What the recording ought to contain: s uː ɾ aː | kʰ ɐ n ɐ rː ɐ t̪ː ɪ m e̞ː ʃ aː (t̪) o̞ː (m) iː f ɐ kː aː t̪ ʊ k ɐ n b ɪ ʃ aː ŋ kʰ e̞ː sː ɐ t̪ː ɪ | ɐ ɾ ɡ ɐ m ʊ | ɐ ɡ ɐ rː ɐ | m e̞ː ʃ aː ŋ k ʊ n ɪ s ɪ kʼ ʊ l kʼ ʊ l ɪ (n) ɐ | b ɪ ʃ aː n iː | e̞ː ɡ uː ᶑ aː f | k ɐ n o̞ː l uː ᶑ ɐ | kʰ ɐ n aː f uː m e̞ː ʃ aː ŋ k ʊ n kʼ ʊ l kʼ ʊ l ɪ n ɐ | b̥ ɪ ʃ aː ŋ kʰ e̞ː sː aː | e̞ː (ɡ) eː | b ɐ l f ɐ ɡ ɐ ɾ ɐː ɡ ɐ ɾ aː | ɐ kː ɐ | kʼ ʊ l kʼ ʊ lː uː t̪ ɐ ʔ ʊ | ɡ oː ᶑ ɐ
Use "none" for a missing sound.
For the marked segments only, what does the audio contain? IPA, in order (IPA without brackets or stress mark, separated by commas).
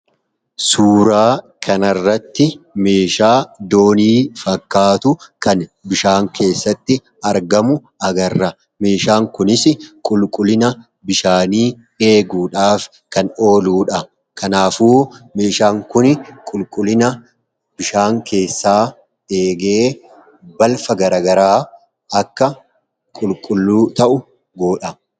d̪, n, n, ɡ